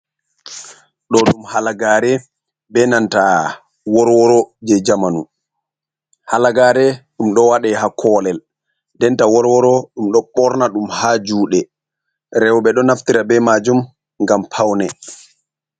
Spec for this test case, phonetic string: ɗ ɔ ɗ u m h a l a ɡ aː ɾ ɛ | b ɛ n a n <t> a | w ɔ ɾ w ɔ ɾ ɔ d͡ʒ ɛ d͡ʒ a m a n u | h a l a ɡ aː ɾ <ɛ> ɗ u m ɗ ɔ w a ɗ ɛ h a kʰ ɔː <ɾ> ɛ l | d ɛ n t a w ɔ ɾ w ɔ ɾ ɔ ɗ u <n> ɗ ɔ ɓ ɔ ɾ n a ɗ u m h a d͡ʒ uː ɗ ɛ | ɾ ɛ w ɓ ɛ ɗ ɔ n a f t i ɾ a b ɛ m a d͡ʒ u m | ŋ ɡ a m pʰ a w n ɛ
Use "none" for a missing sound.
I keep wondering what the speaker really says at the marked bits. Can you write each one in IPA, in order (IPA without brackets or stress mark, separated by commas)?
t, ɛ, l, m